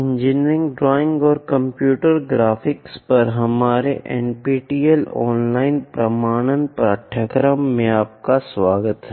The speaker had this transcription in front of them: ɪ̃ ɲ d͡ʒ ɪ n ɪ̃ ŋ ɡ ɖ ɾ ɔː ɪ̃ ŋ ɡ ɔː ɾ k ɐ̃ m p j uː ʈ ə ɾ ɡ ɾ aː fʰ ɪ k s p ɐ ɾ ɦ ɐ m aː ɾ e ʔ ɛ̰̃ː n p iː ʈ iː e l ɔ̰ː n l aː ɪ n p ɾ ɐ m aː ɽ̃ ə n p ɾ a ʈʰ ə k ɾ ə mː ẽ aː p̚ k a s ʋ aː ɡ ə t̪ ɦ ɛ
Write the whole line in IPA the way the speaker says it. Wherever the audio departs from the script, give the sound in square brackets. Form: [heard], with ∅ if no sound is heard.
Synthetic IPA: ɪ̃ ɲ d͡ʒ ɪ n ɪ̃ ŋ ɡ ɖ ɾ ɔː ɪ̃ ŋ ɡ ɔː ɾ k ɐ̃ m p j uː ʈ ə ɾ ɡ ɾ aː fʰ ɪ k s p ɐ ɾ ɦ ɐ m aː ɾ e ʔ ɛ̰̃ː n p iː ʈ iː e l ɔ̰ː n l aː ɪ n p ɾ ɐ m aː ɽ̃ ə n p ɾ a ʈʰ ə k ɾ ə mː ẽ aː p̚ k a s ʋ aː ɡ ə t̪ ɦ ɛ